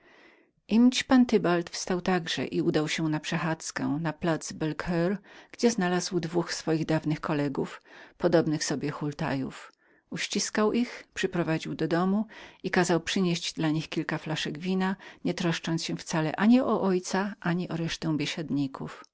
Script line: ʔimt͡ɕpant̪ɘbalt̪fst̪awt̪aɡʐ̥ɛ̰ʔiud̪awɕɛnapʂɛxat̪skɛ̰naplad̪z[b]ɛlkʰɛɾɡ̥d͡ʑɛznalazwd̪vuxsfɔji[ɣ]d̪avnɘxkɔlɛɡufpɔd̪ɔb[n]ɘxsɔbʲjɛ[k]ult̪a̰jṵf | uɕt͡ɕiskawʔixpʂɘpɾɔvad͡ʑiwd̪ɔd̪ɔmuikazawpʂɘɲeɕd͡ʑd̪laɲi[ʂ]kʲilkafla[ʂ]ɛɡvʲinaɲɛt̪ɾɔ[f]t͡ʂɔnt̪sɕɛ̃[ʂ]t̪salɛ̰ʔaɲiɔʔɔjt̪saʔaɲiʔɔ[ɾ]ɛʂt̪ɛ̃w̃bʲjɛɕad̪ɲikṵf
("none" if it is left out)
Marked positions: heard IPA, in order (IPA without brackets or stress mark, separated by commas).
b, ɣ, n, x, x, ʂ, ʂ, f, ɾ